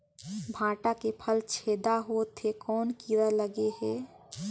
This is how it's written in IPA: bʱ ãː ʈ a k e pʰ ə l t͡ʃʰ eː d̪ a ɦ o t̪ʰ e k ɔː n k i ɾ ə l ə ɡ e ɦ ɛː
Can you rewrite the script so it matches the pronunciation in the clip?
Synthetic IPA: bʱ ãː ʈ a k e pʰ ə l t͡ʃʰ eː d̪ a ɦ o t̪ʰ e k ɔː n k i ɾ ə l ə ɡ e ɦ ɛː